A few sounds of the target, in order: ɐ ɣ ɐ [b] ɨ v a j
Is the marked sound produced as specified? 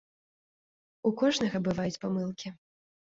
yes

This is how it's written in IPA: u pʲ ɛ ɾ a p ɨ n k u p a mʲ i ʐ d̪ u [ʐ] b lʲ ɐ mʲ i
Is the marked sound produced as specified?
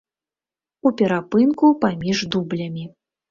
no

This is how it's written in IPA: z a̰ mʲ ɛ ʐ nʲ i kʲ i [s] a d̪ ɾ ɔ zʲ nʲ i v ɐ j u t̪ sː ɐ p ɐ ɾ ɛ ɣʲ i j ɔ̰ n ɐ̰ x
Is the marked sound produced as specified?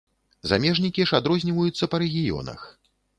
no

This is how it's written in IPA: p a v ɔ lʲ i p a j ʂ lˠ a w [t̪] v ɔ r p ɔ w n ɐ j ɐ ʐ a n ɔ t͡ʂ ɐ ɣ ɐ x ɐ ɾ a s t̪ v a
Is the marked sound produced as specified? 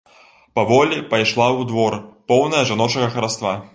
no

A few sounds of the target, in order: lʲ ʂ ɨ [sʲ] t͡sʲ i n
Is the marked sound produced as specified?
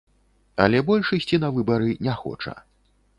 yes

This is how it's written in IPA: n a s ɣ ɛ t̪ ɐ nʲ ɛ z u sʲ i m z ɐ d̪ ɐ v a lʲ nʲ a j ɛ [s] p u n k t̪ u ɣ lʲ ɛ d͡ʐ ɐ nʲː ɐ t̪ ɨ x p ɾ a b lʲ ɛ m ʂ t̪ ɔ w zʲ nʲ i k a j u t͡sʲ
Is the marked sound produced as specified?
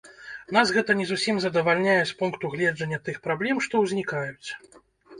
yes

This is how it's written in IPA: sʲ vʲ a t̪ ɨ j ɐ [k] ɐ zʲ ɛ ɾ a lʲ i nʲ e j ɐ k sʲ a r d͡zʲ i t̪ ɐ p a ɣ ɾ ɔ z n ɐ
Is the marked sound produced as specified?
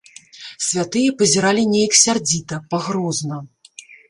no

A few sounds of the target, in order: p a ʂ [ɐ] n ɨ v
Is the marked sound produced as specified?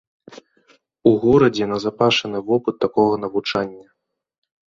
yes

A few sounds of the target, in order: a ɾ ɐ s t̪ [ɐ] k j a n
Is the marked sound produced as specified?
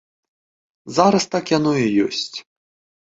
no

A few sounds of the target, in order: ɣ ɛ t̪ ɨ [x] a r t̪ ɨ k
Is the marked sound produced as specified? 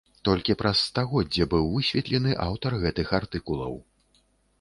yes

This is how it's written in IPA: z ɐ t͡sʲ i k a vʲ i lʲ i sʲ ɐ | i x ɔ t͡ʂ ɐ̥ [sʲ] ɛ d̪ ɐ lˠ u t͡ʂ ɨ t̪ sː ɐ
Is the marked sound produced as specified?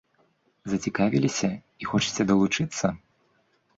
no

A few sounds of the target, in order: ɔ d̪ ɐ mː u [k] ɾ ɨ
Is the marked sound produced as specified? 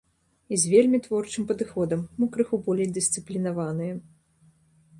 yes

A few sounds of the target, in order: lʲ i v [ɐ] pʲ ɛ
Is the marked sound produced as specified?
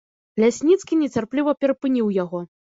yes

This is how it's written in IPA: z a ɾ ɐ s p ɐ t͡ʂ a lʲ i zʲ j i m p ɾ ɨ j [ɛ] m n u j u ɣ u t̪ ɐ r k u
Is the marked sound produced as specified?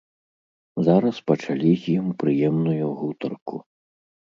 yes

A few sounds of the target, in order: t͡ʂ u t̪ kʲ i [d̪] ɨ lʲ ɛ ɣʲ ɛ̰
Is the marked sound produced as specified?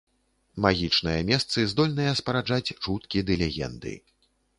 yes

